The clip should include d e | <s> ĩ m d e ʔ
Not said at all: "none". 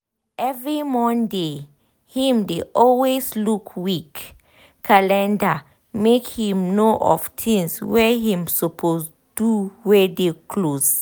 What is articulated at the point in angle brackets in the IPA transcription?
h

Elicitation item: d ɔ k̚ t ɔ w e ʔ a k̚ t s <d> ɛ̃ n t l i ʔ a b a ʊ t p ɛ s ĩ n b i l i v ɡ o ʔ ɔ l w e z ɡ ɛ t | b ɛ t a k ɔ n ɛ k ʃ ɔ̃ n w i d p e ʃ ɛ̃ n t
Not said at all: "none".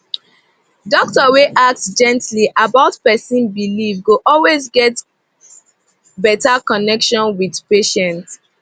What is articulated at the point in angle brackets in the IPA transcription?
d͡ʒ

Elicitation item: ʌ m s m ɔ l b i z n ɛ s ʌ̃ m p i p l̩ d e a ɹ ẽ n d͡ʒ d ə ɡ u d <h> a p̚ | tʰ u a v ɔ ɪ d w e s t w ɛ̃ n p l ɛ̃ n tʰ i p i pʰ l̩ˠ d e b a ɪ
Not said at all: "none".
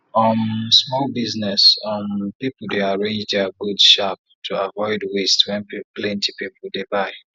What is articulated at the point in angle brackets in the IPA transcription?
ʃ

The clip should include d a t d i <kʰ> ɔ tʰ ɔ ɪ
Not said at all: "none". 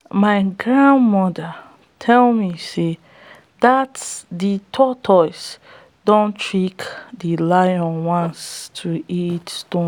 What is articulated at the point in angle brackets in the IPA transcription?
tʰ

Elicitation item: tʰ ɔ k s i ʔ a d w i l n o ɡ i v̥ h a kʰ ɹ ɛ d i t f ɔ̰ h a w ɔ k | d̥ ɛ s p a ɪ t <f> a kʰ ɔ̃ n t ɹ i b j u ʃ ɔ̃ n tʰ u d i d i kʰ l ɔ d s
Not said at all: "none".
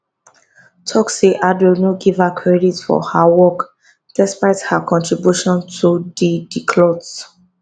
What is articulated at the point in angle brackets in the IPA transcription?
h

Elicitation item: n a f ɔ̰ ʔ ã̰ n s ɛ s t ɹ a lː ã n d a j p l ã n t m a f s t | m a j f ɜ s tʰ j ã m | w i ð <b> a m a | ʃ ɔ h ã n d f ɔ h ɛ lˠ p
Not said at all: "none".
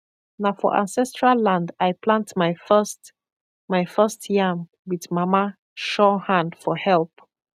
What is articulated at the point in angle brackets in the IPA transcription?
m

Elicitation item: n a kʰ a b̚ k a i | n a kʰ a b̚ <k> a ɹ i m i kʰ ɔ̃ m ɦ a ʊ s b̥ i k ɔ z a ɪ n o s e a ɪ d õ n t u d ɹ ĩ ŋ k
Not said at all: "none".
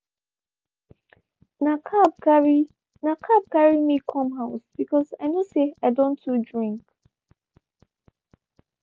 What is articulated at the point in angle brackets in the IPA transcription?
k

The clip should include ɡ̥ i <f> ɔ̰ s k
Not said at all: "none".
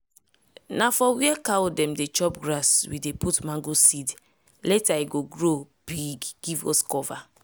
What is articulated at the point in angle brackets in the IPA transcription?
v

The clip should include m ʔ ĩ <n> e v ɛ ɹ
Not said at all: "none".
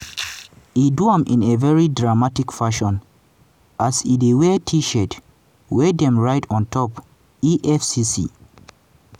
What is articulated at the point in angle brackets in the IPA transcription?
n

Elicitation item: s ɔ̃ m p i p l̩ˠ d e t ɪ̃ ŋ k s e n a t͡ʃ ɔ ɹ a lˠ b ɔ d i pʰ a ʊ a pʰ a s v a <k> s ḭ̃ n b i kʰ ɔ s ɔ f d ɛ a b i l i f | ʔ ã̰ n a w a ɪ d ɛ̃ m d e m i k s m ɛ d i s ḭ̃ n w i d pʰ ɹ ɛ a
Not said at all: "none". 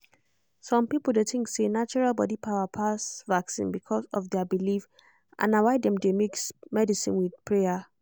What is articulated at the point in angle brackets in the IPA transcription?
k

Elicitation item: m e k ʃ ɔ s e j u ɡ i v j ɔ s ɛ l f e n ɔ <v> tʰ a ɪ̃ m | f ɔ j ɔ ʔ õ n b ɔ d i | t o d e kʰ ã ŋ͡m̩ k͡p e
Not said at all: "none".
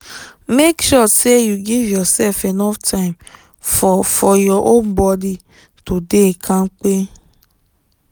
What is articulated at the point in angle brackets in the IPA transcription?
f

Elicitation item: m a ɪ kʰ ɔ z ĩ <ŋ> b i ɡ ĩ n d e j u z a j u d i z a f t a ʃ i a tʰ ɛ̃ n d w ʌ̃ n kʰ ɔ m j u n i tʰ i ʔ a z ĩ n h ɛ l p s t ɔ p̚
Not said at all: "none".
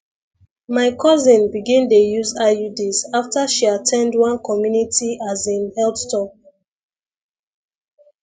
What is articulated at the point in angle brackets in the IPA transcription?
n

